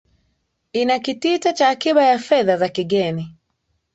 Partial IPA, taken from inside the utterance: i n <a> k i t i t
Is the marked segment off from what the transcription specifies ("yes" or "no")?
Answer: no